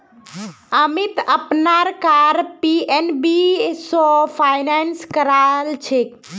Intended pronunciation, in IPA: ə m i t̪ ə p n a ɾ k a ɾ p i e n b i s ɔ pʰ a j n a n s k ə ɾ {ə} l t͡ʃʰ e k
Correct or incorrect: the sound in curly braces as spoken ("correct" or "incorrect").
incorrect